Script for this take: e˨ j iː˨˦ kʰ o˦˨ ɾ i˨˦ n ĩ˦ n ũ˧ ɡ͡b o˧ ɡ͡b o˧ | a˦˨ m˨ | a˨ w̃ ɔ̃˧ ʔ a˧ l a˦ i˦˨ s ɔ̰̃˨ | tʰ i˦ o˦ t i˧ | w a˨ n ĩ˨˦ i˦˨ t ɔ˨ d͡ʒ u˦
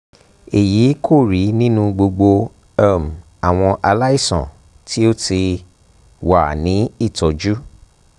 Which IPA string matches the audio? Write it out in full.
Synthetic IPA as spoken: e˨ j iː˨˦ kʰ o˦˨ ɾ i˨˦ n ĩ˦ n ũ˧ ɡ͡b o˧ ɡ͡b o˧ | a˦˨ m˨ | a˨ w̃ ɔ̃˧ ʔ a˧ l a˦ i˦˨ s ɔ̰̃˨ | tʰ i˦ o˦ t i˧ | w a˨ n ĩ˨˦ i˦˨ t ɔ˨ d͡ʒ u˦

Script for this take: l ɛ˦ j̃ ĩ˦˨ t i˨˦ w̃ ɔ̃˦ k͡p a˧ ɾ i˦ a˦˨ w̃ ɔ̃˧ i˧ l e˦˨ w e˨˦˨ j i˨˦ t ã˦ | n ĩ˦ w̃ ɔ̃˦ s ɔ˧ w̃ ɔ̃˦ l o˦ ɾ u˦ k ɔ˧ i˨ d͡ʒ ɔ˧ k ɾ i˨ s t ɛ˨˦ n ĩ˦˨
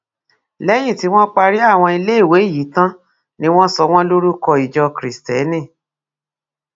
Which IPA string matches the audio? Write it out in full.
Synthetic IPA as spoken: l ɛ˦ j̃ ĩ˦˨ t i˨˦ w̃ ɔ̃˦ k͡p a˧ ɾ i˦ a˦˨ w̃ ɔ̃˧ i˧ l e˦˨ w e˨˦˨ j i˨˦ t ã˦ | n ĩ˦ w̃ ɔ̃˦ s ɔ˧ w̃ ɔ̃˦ l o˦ ɾ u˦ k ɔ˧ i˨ d͡ʒ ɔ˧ k ɾ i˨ s t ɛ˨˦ n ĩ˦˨

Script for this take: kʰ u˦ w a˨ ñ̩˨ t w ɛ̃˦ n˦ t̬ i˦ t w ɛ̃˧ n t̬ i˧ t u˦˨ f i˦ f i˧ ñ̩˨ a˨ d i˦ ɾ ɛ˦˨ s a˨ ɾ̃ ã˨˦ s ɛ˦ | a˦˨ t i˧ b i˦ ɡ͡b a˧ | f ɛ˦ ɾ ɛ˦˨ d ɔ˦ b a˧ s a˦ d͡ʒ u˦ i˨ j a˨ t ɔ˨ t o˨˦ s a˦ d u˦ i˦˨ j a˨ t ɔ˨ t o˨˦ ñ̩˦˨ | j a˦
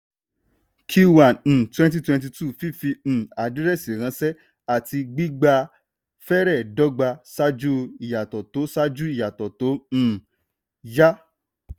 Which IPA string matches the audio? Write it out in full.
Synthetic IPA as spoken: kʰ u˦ w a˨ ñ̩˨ t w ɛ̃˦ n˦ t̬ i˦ t w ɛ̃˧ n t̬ i˧ t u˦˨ f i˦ f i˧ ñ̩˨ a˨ d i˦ ɾ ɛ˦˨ s i˨ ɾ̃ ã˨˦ s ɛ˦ | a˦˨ t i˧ ɡ͡b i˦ ɡ͡b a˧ | f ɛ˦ ɾ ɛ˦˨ d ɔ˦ ɡ͡b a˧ s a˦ d͡ʒ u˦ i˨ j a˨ t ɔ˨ t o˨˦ s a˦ d͡ʒ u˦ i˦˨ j a˨ t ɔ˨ t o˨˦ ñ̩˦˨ | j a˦

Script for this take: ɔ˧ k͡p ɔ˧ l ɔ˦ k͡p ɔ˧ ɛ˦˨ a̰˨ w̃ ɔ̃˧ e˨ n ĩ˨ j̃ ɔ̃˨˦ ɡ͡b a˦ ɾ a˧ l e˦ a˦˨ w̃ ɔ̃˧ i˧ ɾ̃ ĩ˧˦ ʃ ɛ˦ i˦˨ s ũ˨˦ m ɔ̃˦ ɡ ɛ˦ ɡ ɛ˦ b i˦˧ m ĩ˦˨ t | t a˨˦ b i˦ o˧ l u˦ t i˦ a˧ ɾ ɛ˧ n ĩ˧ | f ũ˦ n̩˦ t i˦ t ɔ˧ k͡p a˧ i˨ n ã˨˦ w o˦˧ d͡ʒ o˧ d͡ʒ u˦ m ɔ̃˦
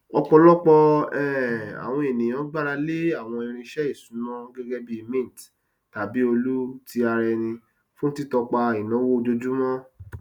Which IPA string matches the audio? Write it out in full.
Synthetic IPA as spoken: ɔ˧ k͡p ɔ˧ l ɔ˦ k͡p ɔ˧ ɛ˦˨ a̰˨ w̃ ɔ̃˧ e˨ n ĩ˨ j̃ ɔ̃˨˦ ɡ͡b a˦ ɾ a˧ l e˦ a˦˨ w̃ ɔ̃˧ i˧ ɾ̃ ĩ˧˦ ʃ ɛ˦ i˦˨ s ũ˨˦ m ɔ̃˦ ɡ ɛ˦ ɡ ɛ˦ b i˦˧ m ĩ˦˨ t | t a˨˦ b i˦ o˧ l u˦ t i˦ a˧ ɾ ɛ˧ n ĩ˧ | f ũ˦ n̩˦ t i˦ t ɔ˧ k͡p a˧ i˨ n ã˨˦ w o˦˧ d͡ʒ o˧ d͡ʒ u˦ m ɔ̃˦

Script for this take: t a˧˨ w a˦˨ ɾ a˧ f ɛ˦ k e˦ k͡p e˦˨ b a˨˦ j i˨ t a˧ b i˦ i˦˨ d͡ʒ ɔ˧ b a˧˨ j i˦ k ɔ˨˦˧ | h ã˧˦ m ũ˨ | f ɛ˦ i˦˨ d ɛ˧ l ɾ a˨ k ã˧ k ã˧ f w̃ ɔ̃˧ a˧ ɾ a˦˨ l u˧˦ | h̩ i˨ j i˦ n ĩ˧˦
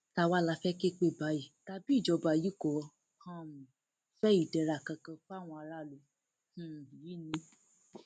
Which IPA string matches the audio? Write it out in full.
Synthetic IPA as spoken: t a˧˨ w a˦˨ l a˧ f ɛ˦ k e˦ k͡p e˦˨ b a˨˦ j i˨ t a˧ b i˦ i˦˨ d͡ʒ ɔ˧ b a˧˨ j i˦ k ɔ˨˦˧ | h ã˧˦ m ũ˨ | f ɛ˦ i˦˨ d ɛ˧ ɾ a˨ k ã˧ k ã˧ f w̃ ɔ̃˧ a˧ ɾ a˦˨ l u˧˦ | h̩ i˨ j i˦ n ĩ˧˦

